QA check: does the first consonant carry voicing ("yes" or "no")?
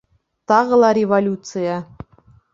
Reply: no